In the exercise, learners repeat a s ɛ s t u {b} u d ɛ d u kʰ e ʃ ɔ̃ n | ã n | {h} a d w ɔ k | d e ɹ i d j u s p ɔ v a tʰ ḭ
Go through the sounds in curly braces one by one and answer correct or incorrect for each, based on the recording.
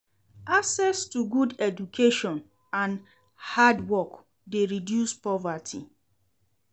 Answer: incorrect, correct

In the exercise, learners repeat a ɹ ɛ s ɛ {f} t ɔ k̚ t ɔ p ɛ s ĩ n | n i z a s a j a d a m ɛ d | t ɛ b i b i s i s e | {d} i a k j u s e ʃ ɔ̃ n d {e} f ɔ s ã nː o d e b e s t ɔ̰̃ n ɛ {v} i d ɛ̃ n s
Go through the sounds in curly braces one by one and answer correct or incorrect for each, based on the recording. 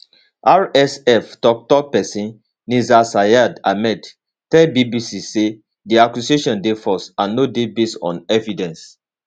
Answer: correct, correct, correct, correct

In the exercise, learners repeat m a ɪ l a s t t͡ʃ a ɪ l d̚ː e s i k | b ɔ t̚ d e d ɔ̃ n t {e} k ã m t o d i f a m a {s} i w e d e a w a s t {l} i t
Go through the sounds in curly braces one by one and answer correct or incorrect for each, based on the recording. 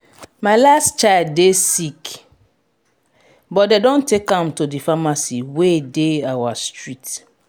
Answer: correct, correct, incorrect

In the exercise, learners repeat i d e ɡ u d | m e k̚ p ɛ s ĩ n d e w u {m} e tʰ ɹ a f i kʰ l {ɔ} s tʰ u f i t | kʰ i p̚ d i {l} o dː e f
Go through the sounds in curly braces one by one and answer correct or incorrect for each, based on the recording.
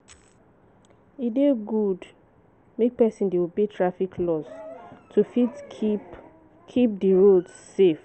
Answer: incorrect, correct, incorrect

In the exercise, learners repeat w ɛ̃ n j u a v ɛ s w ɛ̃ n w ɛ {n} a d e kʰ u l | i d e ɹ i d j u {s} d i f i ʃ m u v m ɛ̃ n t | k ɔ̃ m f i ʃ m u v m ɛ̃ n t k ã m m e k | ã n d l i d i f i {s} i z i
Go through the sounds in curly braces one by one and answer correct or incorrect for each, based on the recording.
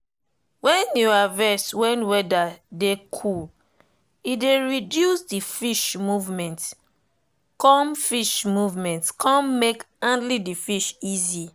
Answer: incorrect, correct, incorrect

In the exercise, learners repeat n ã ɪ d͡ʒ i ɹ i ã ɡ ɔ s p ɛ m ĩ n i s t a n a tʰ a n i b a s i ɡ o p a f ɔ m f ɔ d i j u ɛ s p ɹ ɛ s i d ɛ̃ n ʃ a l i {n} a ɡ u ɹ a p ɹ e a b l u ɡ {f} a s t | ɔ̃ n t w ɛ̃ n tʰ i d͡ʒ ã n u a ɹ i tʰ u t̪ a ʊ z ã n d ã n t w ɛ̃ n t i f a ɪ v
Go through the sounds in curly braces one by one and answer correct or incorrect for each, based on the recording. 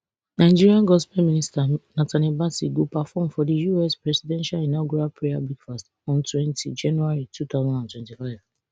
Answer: correct, correct

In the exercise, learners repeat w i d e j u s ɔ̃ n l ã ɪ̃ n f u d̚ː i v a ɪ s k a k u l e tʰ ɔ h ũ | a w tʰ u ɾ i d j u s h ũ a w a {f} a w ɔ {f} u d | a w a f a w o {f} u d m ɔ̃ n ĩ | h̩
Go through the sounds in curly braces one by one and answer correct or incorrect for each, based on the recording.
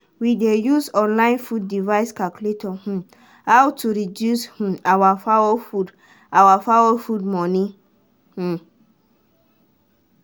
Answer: correct, correct, correct

